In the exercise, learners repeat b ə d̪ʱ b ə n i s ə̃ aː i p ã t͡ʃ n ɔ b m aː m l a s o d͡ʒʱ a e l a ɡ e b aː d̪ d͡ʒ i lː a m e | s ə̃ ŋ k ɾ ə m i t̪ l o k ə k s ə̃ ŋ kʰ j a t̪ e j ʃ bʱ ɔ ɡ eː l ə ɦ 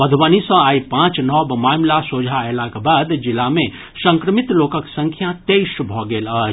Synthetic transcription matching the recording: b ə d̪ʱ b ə n i s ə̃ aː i p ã t͡ʃ n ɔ b m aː m l a s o d͡ʒʱ a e l a k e b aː d̪ d͡ʒ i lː a m e | s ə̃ ŋ k ɾ ə m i t̪ l o k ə k s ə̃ ŋ kʰ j a t̪ e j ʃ bʱ ɔ ɡ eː l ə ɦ